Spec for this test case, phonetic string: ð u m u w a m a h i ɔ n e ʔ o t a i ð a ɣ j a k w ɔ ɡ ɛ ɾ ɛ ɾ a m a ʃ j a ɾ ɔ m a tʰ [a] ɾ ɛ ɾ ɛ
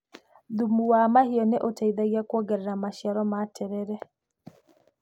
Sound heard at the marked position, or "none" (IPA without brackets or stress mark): ɛ